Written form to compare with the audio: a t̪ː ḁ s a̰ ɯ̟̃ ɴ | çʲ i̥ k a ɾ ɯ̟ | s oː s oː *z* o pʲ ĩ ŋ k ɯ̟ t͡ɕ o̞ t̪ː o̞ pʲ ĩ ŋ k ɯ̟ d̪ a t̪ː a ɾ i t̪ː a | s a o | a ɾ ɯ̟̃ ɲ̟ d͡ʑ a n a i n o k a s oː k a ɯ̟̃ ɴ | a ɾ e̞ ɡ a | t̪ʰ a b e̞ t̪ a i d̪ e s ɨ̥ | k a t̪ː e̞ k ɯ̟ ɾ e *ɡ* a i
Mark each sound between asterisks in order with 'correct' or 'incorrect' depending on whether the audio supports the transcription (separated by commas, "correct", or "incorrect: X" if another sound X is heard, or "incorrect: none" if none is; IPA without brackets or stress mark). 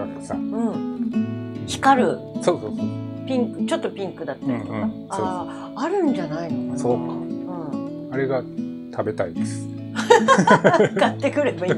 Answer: incorrect: s, incorrect: b